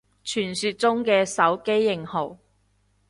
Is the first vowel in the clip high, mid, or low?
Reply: high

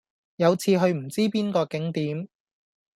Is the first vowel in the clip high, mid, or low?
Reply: low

